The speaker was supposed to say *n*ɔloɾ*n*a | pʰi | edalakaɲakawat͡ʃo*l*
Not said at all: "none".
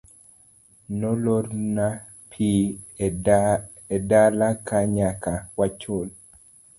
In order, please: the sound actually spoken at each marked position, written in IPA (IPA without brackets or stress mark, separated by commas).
n, n, l